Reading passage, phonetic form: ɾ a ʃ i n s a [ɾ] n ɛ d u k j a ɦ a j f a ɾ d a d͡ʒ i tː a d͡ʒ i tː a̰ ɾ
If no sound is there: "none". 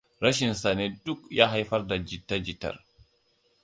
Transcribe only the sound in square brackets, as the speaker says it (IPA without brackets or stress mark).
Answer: none